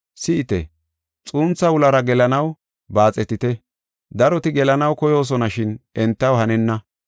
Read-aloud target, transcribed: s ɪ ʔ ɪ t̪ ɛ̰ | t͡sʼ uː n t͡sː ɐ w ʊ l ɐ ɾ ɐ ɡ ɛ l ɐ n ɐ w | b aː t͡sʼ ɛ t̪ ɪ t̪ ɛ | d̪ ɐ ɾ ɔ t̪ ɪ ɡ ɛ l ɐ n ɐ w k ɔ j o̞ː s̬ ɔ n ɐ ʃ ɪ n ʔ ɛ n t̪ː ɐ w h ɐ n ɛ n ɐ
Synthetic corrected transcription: s ɪ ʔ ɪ t̪ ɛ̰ | t͡sʼ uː n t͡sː ɐ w ʊ l ɐ ɾ ɐ ɡ ɛ l ɐ n ɐ w | b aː t͡sʼ ɛ t̪ ɪ t̪ ɛ | d̪ ɐ ɾ ɔ t̪ ɪ ɡ ɛ l ɐ n ɐ w k ɔ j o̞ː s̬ ɔ n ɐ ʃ ɪ n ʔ ɛ n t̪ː ɐ w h ɐ n ɛ nː ɐ